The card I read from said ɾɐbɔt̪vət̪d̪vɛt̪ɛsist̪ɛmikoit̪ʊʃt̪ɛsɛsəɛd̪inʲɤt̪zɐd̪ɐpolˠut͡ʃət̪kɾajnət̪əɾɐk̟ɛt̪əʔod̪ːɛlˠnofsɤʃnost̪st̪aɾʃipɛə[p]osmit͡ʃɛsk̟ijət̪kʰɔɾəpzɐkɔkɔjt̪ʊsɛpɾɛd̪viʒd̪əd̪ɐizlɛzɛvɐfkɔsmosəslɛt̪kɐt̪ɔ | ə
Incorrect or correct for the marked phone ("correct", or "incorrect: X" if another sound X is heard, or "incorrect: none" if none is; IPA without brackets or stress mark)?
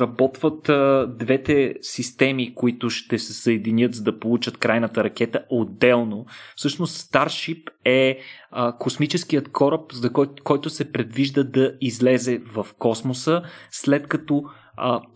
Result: incorrect: k